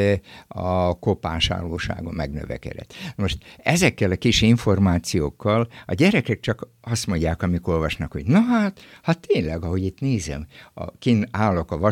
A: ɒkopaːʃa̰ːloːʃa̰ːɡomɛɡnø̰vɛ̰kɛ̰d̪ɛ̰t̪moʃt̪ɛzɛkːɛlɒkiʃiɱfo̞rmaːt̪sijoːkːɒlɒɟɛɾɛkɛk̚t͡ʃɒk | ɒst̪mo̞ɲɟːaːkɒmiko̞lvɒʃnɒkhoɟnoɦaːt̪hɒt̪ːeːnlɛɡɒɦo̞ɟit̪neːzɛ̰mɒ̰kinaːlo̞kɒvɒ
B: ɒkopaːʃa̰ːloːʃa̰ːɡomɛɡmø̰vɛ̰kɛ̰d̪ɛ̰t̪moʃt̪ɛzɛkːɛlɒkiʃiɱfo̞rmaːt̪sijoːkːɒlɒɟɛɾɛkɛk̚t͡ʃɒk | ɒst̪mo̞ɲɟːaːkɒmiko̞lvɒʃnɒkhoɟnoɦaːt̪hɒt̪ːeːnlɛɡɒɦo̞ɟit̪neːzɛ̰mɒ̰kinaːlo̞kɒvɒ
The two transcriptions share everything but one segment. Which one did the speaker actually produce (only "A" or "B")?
A